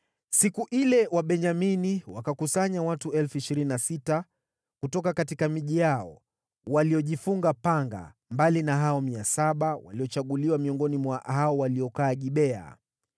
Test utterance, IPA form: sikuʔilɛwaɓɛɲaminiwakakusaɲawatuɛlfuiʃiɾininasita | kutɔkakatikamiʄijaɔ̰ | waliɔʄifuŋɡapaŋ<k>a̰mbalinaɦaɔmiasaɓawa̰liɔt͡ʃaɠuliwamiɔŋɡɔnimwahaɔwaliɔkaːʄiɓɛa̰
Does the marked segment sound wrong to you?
yes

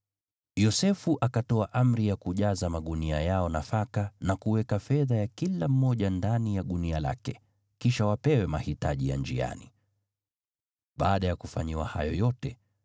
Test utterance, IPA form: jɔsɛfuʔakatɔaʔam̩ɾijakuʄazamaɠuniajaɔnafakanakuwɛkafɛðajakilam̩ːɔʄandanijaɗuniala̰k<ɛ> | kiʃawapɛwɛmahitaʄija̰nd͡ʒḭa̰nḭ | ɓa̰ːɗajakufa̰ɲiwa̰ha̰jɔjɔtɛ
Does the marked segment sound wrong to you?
no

